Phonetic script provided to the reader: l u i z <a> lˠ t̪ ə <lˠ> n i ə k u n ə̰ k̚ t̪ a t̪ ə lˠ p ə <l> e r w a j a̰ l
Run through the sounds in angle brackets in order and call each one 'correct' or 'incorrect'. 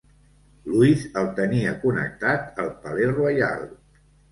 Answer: incorrect: ə, incorrect: none, correct

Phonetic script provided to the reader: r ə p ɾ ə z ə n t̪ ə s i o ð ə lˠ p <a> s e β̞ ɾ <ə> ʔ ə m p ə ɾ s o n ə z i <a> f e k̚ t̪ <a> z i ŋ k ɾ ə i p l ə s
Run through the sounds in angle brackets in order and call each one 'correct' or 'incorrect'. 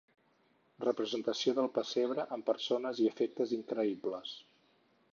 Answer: incorrect: ə, correct, incorrect: ə, incorrect: ə

